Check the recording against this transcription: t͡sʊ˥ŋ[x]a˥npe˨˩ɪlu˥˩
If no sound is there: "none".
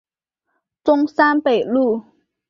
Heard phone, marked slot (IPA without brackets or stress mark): s